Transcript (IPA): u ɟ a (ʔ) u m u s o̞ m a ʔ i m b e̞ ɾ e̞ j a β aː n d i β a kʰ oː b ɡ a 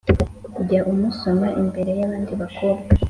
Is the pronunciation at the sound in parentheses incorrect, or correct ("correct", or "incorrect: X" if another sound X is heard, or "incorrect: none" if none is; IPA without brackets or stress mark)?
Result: correct